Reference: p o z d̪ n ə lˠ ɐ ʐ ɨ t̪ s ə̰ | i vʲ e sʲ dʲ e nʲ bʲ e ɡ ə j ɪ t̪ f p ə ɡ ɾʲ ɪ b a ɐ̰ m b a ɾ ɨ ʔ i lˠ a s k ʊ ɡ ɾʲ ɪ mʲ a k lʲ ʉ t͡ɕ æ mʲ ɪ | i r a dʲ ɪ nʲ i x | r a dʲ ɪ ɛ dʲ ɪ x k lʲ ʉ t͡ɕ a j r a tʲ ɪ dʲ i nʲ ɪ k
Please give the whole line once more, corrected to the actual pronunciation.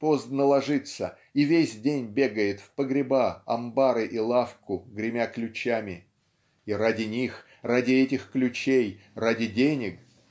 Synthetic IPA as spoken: p o z d̪ n ə lˠ ɐ ʐ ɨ t̪ s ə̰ | i vʲ e sʲ dʲ e nʲ bʲ e ɡ ə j ɪ t̪ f p ə ɡ ɾʲ ɪ b a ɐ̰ m b a ɾ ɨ ʔ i lˠ a f k ʊ ɡ ɾʲ ɪ mʲ a k lʲ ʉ t͡ɕ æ mʲ ɪ | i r a dʲ ɪ nʲ i x | r a dʲ ɪ ɛ tʲ ɪ x k lʲ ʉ t͡ɕ e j r a dʲ ɪ dʲ e nʲ ɪ k

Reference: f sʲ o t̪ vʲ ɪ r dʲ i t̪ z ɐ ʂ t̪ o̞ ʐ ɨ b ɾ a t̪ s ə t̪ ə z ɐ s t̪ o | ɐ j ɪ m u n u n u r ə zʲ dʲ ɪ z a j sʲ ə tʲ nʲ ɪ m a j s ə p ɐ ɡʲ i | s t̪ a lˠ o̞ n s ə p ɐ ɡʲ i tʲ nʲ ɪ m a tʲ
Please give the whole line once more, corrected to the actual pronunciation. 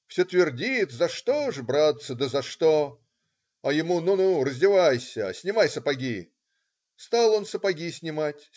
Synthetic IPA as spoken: f sʲ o t̪ vʲ ɪ r dʲ i t̪ z ɐ ʂ t̪ o̞ ʐ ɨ b ɾ a t̪ s ə d̪ ə z ɐ ʂ t̪ o | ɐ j ɪ m u n u n u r ə zʲ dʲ ɪ v a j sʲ ə sʲ nʲ ɪ m a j s ə p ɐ ɡʲ i | s t̪ a lˠ o̞ n s ə p ɐ ɡʲ i sʲ nʲ ɪ m a tʲ

